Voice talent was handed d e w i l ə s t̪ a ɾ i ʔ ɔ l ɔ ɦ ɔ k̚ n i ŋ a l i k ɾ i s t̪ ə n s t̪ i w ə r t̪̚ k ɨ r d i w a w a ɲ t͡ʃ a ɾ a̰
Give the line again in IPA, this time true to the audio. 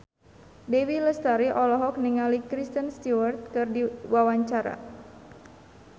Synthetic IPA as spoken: d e w i l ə s t̪ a ɾ i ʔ ɔ l ɔ ɦ ɔ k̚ n i ŋ a l i k ɾ i s t̪ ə n s t̪ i w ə r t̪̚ k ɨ r d i w a w a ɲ t͡ʃ a ɾ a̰